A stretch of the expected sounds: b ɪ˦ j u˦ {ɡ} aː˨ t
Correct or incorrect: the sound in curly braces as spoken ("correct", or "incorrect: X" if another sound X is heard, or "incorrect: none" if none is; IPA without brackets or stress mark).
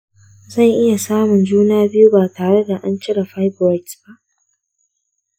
incorrect: b